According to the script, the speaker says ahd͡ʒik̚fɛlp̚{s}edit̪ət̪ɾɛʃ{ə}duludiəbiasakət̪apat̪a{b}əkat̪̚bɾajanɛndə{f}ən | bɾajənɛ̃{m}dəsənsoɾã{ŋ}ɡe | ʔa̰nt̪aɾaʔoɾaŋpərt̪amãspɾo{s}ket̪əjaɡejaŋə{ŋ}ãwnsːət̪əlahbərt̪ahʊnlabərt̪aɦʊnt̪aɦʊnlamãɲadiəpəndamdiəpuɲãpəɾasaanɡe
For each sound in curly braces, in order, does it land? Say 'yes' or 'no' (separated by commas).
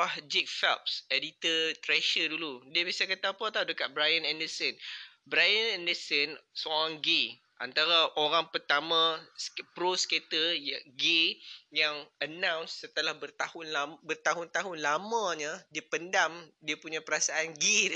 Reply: yes, yes, no, no, no, yes, yes, no